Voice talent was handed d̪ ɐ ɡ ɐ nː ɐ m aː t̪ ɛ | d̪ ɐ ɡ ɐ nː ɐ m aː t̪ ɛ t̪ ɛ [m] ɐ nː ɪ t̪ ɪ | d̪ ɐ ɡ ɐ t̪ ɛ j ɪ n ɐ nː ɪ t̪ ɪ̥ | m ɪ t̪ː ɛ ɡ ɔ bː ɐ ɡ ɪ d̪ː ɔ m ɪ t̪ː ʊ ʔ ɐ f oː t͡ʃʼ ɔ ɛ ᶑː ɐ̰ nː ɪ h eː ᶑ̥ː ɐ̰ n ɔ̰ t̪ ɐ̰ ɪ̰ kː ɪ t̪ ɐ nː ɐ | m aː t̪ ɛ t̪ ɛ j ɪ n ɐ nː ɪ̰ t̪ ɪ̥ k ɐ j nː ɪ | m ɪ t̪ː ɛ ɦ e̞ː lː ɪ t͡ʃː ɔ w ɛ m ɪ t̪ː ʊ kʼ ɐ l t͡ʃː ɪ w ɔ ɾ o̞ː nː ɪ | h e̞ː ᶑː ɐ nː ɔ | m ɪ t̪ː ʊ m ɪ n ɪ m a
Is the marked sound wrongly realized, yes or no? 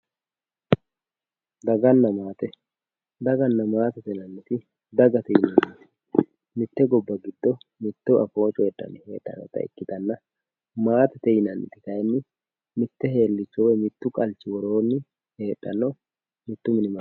yes